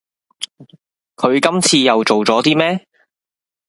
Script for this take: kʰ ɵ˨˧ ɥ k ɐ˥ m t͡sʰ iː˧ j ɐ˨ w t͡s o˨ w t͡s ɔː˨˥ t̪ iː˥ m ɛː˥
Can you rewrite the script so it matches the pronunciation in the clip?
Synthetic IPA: kʰ ɵ˨˧ ɥ k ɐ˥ m t͡sʰ iː˧ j ɐ˨ w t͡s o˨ w t͡s ɔː˨˥ t̪ iː˥ m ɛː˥

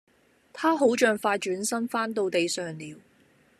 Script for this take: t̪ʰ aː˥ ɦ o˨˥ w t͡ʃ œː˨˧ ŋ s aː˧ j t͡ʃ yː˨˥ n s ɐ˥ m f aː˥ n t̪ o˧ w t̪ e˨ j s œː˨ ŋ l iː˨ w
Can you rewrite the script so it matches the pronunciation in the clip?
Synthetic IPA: t̪ʰ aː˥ ɦ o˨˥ w t͡ʃ œː˨˧ ŋ f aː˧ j t͡ʃ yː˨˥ n s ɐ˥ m f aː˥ n t̪ o˧ w t̪ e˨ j s œː˨ ŋ l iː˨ w

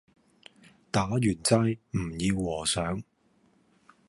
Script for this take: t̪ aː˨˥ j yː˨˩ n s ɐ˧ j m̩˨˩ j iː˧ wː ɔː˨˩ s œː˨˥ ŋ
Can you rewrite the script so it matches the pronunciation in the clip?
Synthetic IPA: t̪ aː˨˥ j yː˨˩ n t͡s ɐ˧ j m̩˨˩ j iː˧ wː ɔː˨˩ s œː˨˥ ŋ

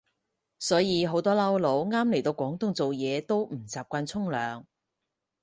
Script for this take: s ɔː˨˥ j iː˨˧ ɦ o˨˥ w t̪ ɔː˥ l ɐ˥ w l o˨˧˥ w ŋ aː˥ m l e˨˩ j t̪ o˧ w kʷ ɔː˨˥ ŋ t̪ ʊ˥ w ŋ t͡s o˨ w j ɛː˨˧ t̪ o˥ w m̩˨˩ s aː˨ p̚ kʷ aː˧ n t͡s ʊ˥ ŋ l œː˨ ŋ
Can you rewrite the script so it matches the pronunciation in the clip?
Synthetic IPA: s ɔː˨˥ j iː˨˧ ɦ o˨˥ w t̪ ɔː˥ l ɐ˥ w l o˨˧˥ w ŋ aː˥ m l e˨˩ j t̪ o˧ w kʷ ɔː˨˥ ŋ t̪ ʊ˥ ŋ t͡s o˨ w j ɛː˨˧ t̪ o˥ w m̩˨˩ t͡s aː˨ p̚ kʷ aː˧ n t͡sʰ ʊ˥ ŋ l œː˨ ŋ

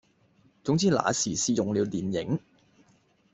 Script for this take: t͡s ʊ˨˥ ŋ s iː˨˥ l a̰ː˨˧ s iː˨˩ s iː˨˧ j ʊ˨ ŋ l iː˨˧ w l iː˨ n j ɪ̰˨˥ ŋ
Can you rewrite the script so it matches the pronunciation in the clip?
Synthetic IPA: t͡s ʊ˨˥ ŋ t͡s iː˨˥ l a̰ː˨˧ s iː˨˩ s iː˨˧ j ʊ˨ ŋ l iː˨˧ w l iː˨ n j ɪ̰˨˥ ŋ

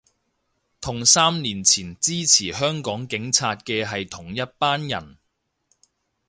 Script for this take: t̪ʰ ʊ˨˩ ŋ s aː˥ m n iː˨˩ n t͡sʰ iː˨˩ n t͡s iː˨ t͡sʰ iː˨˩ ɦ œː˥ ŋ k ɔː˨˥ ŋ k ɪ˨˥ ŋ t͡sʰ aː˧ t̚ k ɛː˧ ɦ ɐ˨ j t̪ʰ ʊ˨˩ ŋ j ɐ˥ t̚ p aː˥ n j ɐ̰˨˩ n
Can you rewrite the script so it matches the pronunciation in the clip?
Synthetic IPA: t̪ʰ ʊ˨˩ ŋ s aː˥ m n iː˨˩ n t͡sʰ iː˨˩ n t͡s iː˥ t͡sʰ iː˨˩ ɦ œː˥ ŋ k ɔː˨˥ ŋ k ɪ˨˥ ŋ t͡sʰ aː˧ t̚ k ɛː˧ ɦ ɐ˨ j t̪ʰ ʊ˨˩ ŋ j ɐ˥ t̚ p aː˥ n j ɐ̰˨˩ n

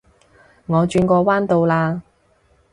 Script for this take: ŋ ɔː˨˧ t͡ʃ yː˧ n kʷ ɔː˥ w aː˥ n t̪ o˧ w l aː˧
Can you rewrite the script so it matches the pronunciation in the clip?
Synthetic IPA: ŋ ɔː˨˧ t͡ʃ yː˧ n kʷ ɔː˧ w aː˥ n t̪ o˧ w l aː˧

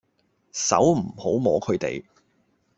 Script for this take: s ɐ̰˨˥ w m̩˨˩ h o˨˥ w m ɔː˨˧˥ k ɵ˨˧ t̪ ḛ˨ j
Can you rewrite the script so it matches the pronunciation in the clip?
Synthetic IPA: s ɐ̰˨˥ w m̩˨˩ h o˨˥ w m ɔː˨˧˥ kʰ ɵ˨˧ t̪ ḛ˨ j

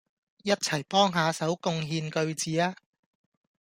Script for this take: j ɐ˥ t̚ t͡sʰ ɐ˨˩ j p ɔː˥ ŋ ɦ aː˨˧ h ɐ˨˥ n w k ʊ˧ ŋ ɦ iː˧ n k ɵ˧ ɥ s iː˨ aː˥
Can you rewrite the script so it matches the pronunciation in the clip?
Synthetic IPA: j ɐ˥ t̚ t͡sʰ ɐ˨˩ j p ɔː˥ ŋ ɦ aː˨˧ s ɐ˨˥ w k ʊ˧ ŋ ɦ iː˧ n k ɵ˧ ɥ t͡s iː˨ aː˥

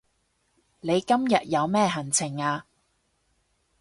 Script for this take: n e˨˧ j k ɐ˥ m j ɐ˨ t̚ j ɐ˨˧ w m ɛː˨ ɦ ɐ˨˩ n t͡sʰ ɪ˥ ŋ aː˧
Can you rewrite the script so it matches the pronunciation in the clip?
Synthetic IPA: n e˨˧ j k ɐ˥ m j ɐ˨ t̚ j ɐ˨˧ w m ɛː˥ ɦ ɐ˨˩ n t͡sʰ ɪ˨˩ ŋ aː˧

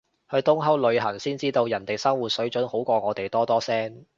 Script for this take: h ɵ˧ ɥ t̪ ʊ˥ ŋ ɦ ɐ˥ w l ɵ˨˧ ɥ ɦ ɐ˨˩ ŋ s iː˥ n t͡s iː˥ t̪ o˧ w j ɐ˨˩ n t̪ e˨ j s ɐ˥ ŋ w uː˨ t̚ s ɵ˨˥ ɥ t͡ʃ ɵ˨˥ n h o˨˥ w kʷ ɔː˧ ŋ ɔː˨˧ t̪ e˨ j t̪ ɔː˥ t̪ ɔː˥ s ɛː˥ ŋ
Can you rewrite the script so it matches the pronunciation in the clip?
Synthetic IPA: h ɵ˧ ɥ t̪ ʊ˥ ŋ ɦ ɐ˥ w l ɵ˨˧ ɥ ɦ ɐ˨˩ ŋ s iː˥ n t͡s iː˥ t̪ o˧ w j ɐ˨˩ n t̪ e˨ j s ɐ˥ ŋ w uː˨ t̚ s ɵ˨˥ ɥ t͡ʃ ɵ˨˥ n h o˨˥ w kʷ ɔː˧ ŋ ɔː˨˧ t̪ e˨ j t̪ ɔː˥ t̪ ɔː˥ s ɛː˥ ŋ

